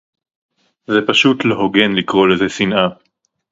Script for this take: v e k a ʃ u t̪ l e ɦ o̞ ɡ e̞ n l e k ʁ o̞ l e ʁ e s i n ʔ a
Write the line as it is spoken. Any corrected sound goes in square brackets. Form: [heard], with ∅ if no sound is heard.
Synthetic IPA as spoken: [z] e [p] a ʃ u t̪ l e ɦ o̞ ɡ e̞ n l [i] k ʁ o̞ l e [z] e s i n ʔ a